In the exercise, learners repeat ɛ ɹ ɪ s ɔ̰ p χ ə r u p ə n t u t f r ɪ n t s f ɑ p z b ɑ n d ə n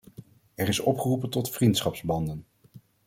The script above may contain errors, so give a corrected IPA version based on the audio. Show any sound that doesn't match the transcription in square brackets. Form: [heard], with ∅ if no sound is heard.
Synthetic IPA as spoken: ɛ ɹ ɪ s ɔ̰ p χ ə r u p ə n t [ɔ] t f r [i] n t s [χ] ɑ p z b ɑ n d ə n